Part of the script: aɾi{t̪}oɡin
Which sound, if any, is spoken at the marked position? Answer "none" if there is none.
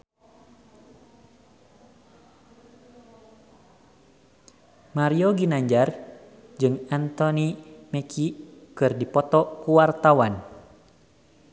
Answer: none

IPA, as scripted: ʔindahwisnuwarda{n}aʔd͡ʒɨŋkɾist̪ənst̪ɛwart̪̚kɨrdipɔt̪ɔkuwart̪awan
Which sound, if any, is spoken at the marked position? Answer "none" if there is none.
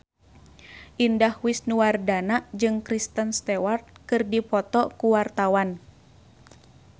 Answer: n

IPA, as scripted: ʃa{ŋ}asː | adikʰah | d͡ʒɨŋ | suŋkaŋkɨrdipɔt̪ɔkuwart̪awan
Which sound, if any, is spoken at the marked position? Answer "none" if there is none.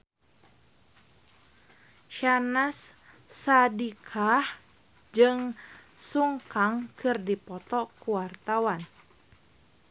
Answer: n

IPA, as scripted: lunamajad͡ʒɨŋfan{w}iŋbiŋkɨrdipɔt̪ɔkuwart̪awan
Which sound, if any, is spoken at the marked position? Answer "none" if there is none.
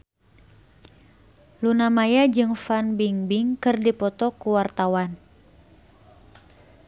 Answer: b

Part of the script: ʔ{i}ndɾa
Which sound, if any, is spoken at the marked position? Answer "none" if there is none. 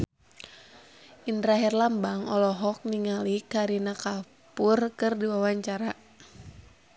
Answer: i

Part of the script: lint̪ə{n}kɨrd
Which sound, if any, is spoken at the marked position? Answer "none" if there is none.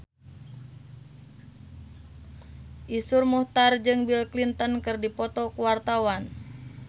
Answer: n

